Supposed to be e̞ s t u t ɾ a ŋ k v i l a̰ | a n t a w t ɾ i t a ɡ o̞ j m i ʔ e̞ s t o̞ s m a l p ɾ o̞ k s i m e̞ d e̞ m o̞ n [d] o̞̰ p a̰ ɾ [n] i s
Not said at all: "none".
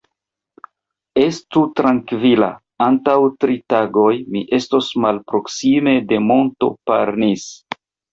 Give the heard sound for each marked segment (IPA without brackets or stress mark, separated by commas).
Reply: t, n